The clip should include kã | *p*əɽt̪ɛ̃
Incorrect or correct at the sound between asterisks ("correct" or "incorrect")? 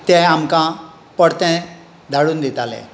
correct